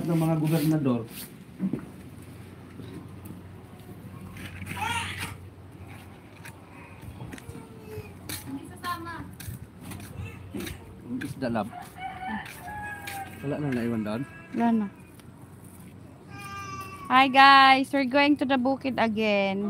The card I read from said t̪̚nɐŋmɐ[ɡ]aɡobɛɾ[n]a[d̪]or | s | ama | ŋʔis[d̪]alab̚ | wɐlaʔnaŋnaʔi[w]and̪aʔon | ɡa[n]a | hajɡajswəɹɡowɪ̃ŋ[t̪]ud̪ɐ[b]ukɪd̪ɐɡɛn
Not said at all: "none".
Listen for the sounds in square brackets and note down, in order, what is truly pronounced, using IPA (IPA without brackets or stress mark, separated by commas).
ŋ, n, d̪, d̪, w, n, t̪, b